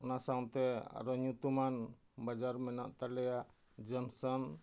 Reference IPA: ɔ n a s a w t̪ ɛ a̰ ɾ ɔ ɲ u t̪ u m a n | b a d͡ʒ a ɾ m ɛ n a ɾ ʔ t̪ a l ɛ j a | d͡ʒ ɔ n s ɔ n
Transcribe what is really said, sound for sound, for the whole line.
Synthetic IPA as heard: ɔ n a s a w t̪ ɛ a̰ ɾ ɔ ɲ u t̪ u m a n | b a d͡ʒ a ɾ m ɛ n a ʔ t̪ a l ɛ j a | d͡ʒ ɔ n s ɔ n